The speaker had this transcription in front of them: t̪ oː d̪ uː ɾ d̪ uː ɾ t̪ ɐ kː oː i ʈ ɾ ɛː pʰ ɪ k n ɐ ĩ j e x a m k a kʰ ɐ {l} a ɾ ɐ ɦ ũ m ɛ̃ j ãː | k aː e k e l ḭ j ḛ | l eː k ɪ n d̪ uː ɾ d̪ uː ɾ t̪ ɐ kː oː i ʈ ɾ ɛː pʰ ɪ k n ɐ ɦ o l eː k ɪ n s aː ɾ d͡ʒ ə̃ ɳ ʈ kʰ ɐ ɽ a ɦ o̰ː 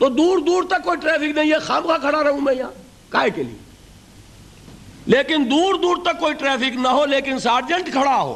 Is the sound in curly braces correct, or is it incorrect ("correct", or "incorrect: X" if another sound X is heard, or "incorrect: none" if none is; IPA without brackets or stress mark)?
incorrect: ɽ